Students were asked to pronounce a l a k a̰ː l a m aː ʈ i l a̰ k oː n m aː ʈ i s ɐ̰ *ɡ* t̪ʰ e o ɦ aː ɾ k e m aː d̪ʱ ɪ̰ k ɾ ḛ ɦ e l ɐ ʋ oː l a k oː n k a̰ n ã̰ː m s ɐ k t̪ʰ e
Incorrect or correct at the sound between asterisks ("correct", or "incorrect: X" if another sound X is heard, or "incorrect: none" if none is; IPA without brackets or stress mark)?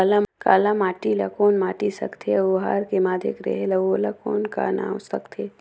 incorrect: k